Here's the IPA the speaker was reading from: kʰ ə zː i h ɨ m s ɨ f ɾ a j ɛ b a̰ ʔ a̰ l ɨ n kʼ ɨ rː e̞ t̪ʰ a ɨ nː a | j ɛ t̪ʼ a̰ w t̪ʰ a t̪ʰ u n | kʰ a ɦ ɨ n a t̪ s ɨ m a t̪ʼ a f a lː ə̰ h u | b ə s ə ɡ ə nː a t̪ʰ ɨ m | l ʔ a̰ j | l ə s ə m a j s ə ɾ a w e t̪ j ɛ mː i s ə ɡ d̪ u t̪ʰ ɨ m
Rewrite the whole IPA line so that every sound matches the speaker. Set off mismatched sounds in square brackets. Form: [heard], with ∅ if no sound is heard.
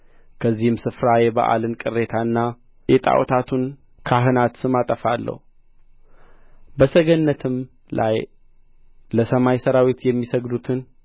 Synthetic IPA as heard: kʰ ə zː i h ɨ m s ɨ f ɾ a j ɛ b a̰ ʔ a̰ l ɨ n kʼ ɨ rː e̞ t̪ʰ a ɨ nː a | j ɛ t̪ʼ a̰ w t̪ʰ a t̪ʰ u n | kʰ a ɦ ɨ n a t̪ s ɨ m a t̪ʼ [ə] f a lː ə̰ h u | b ə s ə ɡ ə nː [ə] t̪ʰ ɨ m | l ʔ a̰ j | l ə s ə m a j s ə ɾ a w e t̪ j ɛ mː i s ə ɡ d̪ u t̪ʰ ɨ [n]